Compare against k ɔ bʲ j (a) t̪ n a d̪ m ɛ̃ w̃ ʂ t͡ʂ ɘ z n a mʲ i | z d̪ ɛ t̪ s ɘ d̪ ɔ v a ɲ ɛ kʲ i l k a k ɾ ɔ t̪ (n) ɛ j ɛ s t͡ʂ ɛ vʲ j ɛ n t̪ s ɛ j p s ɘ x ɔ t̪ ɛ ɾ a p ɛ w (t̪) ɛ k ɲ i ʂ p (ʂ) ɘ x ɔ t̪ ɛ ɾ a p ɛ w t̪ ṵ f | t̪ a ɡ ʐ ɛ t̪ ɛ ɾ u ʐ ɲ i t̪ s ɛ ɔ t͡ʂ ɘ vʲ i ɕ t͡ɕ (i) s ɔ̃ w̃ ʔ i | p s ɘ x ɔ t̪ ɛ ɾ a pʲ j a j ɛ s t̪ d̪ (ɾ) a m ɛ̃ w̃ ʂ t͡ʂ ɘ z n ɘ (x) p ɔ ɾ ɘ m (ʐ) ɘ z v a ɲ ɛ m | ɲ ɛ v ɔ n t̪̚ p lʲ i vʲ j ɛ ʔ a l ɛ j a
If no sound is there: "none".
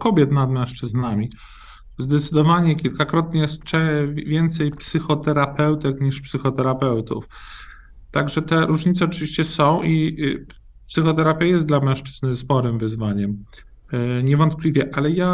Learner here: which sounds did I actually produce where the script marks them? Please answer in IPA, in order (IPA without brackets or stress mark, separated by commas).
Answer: ɛ, ɲ, t̪, s, ɛ, l, s, v